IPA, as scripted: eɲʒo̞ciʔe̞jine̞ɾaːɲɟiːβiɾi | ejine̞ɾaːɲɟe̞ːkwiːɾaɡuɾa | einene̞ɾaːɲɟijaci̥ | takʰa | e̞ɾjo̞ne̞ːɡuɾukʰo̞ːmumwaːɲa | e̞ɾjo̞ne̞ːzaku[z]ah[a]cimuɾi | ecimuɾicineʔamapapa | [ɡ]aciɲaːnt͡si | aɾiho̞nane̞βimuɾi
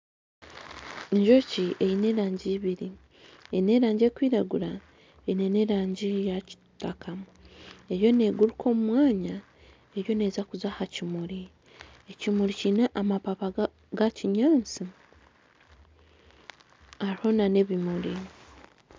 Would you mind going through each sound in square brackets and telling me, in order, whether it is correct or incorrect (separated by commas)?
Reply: correct, correct, correct